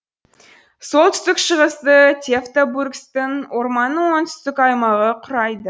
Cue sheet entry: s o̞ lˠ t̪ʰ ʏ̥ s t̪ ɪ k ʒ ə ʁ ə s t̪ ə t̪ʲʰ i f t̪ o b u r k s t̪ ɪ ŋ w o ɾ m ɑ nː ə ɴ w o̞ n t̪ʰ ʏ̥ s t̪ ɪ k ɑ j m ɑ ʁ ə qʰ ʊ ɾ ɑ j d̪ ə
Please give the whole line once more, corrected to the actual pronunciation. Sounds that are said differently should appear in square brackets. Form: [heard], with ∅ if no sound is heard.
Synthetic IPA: s o̞ lˠ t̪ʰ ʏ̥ s t̪ ɪ k [ʃ] ə ʁ ə s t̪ ə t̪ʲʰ [e] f t̪ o b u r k s t̪ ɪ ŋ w o ɾ m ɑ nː ə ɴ w o̞ n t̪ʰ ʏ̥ s t̪ ɪ k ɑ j m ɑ ʁ ə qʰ ʊ ɾ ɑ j d̪ ə